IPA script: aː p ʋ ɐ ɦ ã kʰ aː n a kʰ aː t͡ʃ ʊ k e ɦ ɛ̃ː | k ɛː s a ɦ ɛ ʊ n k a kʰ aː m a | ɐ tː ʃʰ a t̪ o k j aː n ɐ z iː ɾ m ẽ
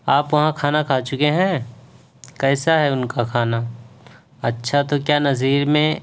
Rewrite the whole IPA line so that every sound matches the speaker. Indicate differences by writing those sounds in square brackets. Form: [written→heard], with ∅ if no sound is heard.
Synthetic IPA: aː p ʋ ɐ ɦ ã kʰ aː n a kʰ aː t͡ʃ ʊ k e ɦ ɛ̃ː | k ɛː s a ɦ ɛ ʊ n k a kʰ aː [m→n] a | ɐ tː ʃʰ a t̪ o k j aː n ɐ z iː ɾ m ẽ